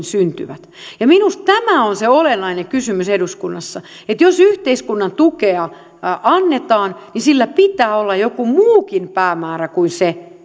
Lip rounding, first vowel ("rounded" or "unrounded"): rounded